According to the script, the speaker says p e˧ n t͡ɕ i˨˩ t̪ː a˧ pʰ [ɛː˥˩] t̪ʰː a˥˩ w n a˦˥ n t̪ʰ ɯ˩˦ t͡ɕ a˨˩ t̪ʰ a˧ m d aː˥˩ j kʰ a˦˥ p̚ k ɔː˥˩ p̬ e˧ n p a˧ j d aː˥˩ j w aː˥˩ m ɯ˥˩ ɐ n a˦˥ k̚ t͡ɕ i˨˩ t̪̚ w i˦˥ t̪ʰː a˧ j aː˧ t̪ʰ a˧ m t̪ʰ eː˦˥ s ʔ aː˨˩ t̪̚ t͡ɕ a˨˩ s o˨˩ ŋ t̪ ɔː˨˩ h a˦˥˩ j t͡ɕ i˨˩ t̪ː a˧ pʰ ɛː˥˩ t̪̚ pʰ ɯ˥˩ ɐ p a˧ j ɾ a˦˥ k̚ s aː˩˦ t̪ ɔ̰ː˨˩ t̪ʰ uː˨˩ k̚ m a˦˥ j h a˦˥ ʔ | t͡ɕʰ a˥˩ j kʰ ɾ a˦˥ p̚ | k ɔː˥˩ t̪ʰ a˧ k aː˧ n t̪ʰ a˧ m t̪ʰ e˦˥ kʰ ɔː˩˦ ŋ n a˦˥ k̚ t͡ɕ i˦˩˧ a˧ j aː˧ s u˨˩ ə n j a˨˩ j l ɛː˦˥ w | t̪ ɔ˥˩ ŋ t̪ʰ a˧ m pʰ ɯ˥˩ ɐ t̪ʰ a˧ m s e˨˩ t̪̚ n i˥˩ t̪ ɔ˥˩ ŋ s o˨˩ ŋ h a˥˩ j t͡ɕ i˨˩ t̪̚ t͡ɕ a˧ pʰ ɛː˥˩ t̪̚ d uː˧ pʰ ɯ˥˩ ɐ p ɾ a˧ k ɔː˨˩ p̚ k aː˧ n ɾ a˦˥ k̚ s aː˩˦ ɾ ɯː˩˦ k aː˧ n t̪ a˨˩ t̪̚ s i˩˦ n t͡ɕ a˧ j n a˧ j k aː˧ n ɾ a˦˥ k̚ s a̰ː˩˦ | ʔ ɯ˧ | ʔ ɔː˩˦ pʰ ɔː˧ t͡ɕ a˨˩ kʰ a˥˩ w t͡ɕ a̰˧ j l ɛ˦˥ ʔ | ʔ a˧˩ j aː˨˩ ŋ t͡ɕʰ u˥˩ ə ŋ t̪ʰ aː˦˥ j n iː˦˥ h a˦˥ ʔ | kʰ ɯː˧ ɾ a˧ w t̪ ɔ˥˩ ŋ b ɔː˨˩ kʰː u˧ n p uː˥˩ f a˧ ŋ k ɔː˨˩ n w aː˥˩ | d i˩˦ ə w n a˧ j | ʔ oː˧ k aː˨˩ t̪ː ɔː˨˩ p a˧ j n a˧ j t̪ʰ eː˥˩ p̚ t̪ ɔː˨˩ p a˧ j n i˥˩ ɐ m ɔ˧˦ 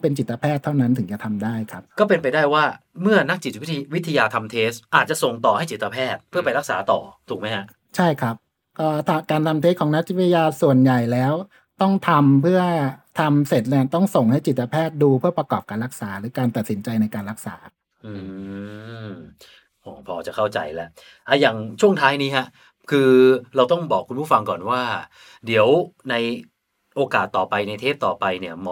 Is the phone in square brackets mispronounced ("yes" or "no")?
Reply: no